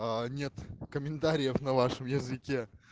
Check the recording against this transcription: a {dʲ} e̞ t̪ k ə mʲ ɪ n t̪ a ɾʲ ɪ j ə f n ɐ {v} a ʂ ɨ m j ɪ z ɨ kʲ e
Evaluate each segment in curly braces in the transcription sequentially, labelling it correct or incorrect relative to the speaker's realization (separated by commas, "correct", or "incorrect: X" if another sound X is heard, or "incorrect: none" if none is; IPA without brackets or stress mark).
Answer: incorrect: nʲ, correct